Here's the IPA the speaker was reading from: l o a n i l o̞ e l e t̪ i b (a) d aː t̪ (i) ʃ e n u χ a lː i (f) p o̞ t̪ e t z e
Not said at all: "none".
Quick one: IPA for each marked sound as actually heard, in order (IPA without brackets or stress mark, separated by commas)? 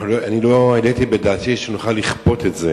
e, i, χ